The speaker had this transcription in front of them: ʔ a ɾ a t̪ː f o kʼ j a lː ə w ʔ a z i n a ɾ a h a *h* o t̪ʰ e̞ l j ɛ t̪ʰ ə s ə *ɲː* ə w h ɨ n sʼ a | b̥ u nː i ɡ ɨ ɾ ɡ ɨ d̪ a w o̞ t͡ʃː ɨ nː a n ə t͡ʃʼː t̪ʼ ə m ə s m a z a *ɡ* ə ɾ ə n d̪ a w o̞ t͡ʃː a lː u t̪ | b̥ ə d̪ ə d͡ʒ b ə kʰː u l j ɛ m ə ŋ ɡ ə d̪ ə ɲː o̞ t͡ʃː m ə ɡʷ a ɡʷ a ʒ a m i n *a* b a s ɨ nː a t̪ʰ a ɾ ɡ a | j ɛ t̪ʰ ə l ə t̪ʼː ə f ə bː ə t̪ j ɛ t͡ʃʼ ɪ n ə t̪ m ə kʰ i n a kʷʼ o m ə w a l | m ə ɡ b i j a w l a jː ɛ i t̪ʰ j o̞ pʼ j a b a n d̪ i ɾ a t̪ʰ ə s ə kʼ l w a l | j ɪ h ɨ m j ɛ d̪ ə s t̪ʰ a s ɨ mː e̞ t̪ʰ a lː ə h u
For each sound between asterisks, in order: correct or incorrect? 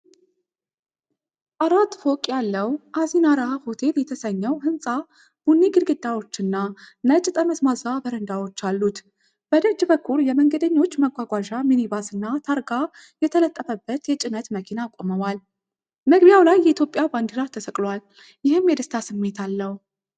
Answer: correct, correct, incorrect: b, incorrect: i

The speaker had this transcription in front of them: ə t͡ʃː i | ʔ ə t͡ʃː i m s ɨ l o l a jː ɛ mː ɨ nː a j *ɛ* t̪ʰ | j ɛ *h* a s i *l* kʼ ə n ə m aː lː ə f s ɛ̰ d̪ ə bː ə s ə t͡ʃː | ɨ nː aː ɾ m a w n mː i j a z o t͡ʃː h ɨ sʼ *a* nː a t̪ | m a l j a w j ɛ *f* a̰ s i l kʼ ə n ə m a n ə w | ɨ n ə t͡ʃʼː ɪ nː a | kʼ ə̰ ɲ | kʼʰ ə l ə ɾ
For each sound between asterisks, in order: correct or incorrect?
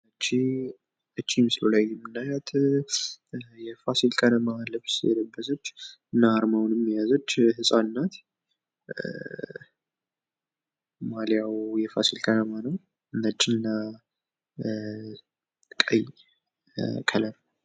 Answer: incorrect: a, incorrect: f, correct, correct, correct

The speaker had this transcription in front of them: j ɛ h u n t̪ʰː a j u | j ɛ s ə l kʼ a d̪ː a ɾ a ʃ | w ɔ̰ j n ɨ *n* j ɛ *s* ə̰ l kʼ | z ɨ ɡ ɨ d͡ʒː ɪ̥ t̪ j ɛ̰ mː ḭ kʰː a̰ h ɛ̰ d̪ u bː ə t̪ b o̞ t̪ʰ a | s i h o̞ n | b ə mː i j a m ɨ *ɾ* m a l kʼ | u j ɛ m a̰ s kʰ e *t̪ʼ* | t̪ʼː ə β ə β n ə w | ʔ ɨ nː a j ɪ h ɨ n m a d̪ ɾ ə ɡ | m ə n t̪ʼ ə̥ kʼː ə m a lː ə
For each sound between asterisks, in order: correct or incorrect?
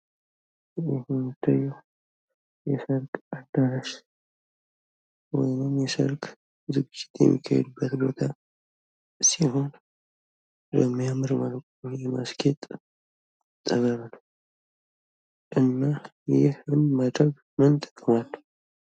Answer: incorrect: m, correct, correct, correct

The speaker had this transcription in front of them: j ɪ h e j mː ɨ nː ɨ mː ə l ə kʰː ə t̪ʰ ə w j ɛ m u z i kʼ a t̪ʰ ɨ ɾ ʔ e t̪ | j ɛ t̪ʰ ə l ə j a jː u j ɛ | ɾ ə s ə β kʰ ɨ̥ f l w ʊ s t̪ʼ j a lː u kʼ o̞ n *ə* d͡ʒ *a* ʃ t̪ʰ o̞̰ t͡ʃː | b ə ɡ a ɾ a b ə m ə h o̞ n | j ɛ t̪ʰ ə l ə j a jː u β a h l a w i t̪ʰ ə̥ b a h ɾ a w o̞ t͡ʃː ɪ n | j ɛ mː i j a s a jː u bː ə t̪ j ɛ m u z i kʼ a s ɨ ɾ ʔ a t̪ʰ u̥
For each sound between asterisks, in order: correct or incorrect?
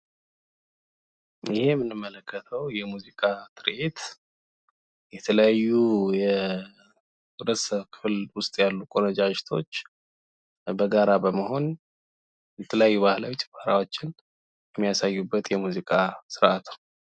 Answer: correct, correct

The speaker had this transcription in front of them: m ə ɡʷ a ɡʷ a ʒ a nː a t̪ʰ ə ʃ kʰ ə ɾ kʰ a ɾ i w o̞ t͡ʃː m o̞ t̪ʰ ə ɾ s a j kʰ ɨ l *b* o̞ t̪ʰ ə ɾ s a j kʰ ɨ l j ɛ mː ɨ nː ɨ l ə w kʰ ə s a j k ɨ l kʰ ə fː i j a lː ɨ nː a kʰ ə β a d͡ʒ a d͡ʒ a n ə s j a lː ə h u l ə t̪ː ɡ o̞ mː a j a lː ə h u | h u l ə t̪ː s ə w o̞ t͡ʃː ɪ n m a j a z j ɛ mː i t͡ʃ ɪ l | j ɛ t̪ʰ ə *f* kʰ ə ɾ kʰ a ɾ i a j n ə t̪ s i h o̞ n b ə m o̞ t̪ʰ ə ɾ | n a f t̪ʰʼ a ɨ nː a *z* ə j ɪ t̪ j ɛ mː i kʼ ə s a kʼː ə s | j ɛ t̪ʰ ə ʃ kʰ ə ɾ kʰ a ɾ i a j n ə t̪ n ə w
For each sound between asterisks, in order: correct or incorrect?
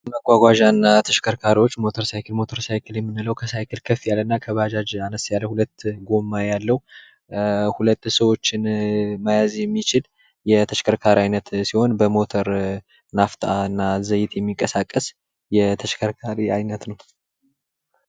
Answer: incorrect: m, incorrect: ʃ, correct

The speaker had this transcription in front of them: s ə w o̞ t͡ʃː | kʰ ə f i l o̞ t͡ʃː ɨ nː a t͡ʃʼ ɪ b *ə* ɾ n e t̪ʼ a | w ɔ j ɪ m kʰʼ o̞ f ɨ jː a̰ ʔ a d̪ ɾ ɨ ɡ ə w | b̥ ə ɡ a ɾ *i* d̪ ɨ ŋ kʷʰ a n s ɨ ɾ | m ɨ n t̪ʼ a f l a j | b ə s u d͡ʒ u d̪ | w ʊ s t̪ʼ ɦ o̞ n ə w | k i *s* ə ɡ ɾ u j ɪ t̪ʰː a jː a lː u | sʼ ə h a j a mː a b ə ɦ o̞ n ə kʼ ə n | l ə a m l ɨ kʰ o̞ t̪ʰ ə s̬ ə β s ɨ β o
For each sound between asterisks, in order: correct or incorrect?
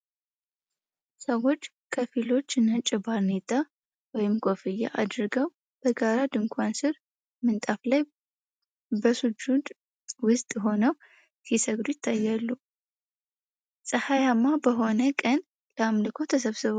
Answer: incorrect: a, incorrect: a, correct

